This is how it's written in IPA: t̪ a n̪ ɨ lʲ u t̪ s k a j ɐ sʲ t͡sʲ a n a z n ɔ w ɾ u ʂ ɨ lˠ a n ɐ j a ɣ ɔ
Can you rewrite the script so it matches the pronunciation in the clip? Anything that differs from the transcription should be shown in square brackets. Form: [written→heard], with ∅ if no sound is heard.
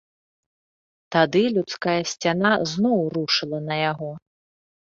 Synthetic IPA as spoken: t̪ a [n̪→d̪] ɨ lʲ u t̪ s k a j ɐ sʲ t͡sʲ a n a z n ɔ w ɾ u ʂ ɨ lˠ [a→ɐ] n ɐ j a ɣ ɔ